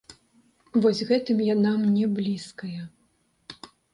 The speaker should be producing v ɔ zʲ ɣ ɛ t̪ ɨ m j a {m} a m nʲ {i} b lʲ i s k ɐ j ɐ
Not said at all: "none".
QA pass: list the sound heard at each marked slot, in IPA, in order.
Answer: n, ɛ

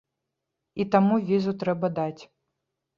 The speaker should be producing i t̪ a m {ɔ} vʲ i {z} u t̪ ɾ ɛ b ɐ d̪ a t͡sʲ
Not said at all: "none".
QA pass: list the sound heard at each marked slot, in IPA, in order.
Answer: u, z

